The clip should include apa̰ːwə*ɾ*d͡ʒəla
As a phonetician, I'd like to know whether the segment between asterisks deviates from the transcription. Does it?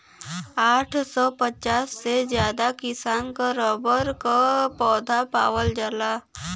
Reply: yes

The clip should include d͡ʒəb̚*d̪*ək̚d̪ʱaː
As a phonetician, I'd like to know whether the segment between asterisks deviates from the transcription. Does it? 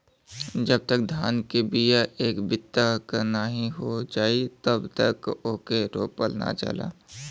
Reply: yes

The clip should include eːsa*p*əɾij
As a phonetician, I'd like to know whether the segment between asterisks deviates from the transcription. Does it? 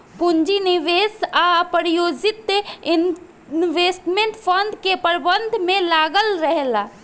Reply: no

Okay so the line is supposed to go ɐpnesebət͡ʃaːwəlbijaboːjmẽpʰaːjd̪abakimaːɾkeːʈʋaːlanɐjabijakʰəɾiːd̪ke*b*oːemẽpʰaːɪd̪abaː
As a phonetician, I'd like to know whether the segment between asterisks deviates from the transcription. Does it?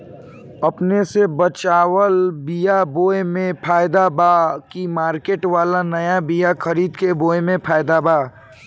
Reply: no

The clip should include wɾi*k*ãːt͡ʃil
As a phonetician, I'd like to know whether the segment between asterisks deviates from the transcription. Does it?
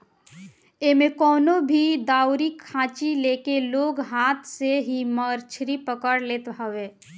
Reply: yes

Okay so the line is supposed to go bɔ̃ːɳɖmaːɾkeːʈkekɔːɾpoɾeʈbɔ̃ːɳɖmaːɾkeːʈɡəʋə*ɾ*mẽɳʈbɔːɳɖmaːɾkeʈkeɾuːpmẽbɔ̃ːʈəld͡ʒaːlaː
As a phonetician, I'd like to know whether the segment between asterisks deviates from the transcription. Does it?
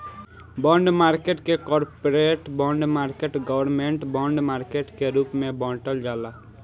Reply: no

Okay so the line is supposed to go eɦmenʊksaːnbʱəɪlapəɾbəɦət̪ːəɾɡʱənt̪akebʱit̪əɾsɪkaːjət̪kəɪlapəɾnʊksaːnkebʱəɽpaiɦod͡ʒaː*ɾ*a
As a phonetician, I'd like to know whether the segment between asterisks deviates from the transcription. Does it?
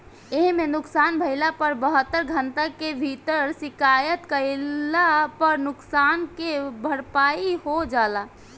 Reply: yes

